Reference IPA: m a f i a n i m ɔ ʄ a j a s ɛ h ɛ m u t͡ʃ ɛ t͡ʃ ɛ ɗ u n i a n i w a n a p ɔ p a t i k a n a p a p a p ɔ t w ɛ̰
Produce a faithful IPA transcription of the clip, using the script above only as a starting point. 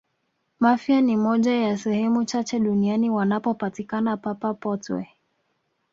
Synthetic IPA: m a f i a n i m ɔ ʄ a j a s ɛ h ɛ m u t͡ʃ a t͡ʃ ɛ ɗ u n i a n i w a n a p ɔ p a t i k a n a p a p a p ɔ t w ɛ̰